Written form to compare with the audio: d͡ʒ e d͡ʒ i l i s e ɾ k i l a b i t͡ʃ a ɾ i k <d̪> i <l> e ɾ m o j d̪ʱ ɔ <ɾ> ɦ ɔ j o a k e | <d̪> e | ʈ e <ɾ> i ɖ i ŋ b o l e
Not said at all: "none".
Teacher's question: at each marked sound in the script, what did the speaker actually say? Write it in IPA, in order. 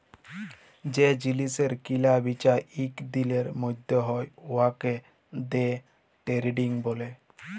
d̪, l, none, d̪, ɾ

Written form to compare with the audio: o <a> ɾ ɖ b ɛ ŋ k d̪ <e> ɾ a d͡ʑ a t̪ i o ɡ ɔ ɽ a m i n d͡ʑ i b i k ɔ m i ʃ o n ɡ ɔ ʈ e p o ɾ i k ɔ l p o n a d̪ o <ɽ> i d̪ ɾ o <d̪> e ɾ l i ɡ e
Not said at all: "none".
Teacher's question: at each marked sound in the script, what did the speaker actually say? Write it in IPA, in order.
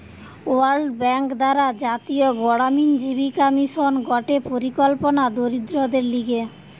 a, a, ɾ, d̪

